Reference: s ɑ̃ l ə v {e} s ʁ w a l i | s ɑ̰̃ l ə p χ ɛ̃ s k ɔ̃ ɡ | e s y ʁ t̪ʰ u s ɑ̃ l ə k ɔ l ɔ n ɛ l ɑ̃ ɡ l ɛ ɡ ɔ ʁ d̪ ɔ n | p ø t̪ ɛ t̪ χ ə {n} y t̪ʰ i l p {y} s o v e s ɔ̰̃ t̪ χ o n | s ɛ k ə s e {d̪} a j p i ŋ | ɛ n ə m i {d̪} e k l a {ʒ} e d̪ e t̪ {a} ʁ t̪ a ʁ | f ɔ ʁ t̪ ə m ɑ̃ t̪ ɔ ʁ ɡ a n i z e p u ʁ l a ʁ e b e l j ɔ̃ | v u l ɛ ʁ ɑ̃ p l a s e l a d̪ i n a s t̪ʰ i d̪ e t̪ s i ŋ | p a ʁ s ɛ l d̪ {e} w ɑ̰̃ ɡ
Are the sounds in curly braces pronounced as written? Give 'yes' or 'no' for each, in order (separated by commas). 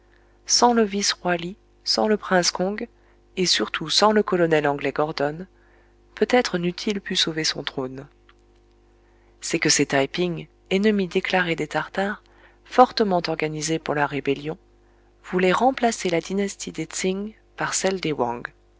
no, yes, yes, no, yes, no, yes, yes